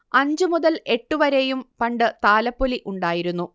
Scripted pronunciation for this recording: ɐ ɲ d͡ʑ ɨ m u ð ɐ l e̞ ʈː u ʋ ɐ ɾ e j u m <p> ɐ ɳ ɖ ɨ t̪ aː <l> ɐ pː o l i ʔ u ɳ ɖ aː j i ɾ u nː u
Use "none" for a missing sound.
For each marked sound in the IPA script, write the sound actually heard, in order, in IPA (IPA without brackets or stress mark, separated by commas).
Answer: p, l